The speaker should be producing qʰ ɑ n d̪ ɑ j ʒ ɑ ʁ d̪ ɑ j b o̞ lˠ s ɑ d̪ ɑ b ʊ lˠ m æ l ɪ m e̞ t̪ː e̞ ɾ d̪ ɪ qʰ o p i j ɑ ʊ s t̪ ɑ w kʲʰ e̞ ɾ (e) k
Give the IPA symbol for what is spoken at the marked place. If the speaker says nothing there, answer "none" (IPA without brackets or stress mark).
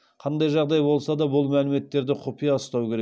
e